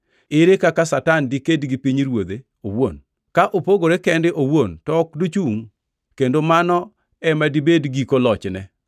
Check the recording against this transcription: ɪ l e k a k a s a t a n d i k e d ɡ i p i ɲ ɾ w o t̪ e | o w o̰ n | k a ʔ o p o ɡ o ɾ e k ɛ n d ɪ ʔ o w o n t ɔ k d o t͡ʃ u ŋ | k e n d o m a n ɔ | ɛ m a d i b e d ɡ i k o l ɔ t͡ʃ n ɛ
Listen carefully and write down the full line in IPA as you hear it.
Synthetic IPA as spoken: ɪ ɾ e k a k a s a t a n d i k e d ɡ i p i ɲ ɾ w o d̪ e | o w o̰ n | k a ʔ o p o ɡ o ɾ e k ɛ n d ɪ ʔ o w o n t ɔ k d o t͡ʃ u ŋ | k e n d o m a n ɔ | ɛ m a d i b e d ɡ i k o l ɔ t͡ʃ n ɛ